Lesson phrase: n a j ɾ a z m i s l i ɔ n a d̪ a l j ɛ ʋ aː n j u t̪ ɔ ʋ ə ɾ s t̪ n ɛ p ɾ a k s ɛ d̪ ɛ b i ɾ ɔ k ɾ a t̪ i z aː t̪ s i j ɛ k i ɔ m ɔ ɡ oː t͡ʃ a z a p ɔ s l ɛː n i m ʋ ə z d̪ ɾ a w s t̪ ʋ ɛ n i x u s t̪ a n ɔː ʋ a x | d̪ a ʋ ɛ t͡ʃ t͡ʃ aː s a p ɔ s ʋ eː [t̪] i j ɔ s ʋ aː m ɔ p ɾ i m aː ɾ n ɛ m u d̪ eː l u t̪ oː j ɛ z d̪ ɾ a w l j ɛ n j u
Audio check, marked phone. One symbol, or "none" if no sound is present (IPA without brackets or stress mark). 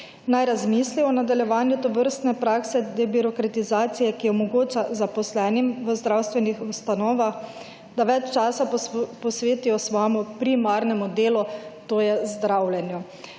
t̪